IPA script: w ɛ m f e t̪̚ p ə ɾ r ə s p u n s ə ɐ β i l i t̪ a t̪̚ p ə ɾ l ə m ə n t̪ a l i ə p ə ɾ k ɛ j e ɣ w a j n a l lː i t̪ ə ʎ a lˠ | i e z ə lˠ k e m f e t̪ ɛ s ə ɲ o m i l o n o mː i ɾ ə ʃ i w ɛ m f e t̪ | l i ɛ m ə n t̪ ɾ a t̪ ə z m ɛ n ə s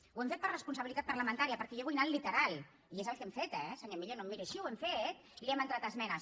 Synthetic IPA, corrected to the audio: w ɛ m f e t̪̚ p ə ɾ r ə s p u n s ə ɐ β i l i t̪ a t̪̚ p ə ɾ l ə m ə n t̪ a ɾ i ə p ə ɾ k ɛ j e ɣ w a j n a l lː i t̪ ə ɾ a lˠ | i e z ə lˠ k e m f e t̪ ɛ s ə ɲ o m i ʎ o n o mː i ɾ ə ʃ i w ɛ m f e t̪ | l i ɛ m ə n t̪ ɾ a t̪ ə z m ɛ n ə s